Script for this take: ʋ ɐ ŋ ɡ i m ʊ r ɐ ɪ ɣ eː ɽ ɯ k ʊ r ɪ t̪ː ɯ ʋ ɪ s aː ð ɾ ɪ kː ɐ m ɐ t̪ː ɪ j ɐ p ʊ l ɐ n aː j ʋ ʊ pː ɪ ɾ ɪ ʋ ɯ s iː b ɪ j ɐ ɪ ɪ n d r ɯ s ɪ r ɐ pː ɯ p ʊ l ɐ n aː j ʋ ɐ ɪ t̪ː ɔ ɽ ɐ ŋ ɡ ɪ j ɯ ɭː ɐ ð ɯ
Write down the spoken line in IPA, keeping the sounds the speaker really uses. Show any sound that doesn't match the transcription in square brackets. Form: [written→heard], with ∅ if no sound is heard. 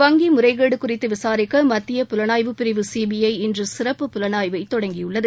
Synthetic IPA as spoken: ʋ ɐ ŋ ɡ i m ʊ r ɐ ɪ ɣ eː ɽ ɯ k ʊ r ɪ t̪ː ɯ ʋ ɪ s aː [ð→∅] ɾ ɪ kː ɐ m ɐ t̪ː ɪ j ɐ p ʊ l ɐ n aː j ʋ [ʊ→ɯ] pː ɪ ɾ ɪ ʋ ɯ s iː b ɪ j ɐ ɪ ɪ n d r ɯ s ɪ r ɐ pː ɯ p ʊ l ɐ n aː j ʋ ɐ ɪ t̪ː ɔ ɽ ɐ ŋ ɡ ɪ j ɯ ɭː ɐ ð ɯ